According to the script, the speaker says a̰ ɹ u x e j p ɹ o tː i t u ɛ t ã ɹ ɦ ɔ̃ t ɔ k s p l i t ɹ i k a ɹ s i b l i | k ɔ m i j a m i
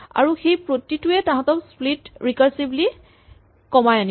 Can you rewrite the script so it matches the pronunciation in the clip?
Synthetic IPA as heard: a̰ ɹ u x e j p ɹ o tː i t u ɛ t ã ɦ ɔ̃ t ɔ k s p l i t ɹ i k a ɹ s i b l i | k ɔ m a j a n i